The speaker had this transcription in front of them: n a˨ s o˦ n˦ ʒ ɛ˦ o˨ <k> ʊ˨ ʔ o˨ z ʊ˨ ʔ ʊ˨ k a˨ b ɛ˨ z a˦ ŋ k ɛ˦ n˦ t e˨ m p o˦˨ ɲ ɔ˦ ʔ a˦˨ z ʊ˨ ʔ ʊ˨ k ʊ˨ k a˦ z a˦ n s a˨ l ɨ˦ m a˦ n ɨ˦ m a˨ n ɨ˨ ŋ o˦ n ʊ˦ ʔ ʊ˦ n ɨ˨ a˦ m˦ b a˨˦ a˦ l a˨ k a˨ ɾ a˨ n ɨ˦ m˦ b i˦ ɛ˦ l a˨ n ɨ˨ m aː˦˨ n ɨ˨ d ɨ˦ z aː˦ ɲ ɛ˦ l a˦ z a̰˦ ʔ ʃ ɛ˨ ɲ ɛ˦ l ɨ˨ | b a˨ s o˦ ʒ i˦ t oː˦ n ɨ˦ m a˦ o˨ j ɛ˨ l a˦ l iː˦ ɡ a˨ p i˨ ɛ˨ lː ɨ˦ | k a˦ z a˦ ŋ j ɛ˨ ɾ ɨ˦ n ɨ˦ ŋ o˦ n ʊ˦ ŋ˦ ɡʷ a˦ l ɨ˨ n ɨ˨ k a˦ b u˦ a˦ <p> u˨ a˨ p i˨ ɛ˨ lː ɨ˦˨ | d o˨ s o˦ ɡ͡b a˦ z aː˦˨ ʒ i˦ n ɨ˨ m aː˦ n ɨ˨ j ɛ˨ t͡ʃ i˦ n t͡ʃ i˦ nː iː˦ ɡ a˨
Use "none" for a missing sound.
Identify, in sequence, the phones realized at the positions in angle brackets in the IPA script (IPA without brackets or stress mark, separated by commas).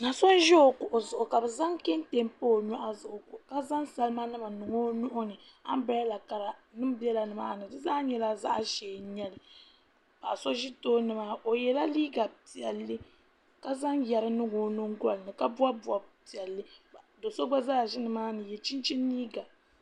k, b